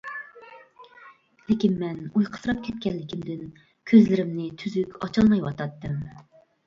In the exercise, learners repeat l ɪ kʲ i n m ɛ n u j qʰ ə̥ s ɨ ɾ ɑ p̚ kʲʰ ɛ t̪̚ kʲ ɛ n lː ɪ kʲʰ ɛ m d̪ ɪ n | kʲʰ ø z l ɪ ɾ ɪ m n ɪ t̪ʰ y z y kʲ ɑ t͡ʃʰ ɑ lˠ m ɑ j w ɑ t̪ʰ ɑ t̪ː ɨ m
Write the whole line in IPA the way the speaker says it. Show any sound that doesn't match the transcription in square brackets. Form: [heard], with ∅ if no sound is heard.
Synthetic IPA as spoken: l ɪ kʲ i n m ɛ n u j qʰ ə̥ s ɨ ɾ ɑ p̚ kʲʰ ɛ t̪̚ kʲ ɛ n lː ɪ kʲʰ [i] m d̪ ɪ n | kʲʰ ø z l ɪ ɾ ɪ m n ɪ t̪ʰ y z y kʲ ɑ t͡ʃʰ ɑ lˠ m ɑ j w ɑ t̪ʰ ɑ t̪ː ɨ m